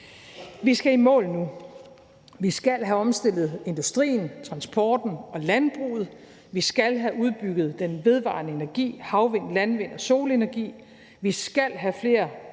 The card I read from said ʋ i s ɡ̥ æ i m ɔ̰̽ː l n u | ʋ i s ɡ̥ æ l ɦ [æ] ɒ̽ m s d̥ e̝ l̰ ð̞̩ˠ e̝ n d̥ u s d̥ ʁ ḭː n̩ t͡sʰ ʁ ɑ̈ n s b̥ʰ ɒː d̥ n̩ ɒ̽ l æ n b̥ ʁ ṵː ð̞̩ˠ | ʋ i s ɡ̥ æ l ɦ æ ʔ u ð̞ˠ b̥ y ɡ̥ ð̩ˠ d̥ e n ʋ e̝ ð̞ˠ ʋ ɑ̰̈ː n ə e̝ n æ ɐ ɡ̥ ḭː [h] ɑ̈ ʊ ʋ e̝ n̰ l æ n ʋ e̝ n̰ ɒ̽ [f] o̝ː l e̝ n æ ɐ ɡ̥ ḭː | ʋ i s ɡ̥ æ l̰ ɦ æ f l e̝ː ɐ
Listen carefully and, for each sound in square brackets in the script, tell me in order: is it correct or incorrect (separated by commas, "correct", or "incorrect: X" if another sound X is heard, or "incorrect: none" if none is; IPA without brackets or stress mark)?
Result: correct, correct, incorrect: s